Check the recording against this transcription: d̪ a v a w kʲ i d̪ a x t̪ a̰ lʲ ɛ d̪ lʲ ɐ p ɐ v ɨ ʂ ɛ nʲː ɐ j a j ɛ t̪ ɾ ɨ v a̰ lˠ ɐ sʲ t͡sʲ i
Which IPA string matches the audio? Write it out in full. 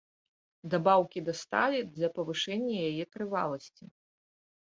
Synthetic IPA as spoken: d̪ a b a w kʲ i d̪ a s t̪ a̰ lʲ i d̪ lʲ ɐ p ɐ v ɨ ʂ ɛ nʲː ɐ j a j ɛ t̪ ɾ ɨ v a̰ lˠ ɐ sʲ t͡sʲ i